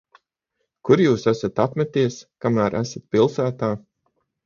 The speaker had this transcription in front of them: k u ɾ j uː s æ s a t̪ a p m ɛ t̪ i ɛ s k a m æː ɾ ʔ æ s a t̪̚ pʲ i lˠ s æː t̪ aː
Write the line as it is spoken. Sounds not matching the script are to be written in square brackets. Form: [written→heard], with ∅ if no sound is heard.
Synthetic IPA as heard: k u ɾ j uː s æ s a t̪ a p m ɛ t̪ i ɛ s k a m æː ɾ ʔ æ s a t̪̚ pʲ i lˠ s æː t̪ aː